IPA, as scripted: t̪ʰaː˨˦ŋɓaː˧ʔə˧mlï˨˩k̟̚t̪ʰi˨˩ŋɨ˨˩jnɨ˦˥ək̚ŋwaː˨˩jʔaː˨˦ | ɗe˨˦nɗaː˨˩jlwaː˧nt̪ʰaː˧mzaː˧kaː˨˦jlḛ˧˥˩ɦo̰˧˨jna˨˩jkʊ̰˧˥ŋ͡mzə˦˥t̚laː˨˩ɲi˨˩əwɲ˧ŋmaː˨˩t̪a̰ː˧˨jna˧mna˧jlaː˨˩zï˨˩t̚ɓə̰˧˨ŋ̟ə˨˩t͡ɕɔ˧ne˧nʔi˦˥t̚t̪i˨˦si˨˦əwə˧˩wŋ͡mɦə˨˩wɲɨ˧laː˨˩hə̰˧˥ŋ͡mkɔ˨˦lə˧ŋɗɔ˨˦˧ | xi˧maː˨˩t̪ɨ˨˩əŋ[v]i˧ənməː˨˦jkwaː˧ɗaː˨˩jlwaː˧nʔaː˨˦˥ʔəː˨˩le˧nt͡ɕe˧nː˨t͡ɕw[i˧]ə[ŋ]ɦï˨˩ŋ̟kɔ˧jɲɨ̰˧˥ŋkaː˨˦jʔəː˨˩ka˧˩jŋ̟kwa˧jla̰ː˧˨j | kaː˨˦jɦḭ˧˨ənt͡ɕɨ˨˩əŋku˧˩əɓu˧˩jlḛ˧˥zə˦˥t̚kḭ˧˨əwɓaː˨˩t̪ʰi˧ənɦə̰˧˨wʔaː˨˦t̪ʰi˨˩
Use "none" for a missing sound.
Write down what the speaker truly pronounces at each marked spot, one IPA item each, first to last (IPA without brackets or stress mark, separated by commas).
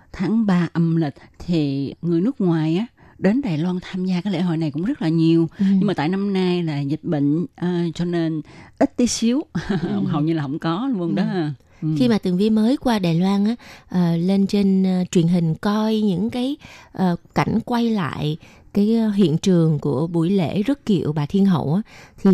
v, i˨˩, n